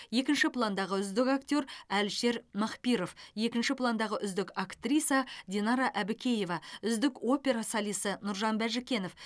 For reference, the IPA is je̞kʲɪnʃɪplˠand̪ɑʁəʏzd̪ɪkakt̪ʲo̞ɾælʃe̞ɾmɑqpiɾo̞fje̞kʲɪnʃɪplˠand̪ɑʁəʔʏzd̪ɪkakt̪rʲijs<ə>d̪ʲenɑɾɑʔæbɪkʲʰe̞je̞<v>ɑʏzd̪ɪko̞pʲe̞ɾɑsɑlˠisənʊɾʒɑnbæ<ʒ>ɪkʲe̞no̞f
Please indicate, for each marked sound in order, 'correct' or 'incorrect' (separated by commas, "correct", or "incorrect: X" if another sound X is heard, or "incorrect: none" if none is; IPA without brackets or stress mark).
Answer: incorrect: ɑ, correct, correct